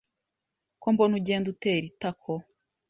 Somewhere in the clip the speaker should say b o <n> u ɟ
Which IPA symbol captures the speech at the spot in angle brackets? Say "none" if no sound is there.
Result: n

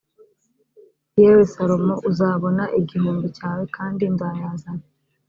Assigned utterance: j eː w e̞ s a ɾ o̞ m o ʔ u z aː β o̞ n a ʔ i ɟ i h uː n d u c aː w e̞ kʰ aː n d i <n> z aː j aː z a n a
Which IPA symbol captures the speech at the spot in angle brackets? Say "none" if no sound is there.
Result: n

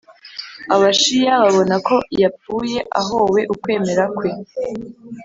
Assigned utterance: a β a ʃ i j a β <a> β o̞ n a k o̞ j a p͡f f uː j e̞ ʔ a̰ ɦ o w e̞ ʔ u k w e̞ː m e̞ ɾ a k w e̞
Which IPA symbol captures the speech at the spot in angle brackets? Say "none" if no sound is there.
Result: a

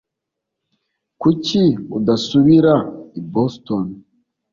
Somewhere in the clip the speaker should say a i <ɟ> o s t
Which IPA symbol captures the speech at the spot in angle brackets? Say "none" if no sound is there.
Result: b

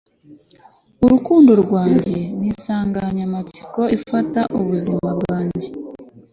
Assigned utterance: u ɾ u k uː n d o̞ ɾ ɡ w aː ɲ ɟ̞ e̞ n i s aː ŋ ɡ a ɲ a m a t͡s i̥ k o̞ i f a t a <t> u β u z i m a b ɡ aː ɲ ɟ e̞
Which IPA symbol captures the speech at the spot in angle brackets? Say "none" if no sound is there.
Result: ʔ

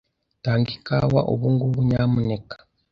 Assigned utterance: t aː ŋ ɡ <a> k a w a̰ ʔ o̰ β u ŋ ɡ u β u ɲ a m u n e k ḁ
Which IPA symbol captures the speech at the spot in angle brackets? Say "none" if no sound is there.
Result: i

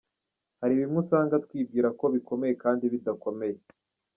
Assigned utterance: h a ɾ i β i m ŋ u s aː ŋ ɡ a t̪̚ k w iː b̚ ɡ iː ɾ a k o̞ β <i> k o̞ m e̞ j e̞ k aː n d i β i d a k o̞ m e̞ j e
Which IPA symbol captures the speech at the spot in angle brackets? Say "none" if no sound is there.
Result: i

